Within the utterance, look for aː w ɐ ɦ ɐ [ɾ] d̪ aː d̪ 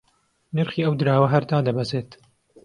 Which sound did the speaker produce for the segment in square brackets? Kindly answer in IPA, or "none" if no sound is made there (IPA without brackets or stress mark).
ɾ